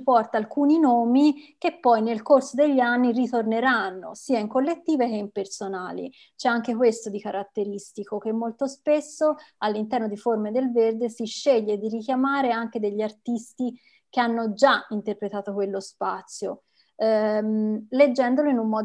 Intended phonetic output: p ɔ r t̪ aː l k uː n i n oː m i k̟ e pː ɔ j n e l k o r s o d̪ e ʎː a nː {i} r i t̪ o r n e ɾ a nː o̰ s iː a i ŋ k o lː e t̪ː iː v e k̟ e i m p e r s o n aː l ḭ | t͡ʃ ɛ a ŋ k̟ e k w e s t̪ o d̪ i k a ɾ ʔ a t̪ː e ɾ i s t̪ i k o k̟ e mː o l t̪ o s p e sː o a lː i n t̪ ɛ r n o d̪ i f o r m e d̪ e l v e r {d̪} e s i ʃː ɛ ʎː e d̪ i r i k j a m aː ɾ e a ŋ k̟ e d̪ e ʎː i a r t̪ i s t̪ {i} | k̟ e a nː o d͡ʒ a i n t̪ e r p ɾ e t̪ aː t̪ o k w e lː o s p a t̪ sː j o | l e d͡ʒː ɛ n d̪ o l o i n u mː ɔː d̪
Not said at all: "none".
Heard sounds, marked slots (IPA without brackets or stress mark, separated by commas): i, d̪, i